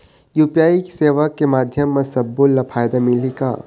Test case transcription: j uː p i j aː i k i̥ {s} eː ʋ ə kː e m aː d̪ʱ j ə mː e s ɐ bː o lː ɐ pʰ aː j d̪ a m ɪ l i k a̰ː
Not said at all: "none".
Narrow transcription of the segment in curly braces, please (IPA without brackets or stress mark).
s